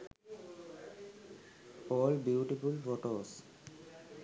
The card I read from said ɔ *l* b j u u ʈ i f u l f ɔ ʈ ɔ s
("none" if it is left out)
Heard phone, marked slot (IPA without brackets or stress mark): l